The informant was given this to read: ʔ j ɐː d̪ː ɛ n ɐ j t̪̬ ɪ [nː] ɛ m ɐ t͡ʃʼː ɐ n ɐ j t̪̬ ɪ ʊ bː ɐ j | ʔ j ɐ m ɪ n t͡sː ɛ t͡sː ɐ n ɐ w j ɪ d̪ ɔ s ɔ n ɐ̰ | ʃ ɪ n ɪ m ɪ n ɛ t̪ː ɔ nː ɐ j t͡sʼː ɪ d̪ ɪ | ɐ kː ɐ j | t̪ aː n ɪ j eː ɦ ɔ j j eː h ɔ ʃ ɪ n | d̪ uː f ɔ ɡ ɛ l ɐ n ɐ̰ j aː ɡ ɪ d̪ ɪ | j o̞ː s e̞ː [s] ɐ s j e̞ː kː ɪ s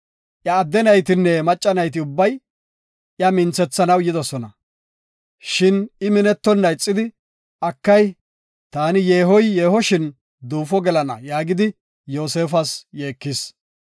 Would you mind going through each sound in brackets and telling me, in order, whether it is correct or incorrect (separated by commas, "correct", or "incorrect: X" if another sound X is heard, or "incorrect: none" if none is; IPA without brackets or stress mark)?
correct, incorrect: f